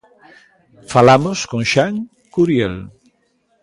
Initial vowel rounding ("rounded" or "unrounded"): unrounded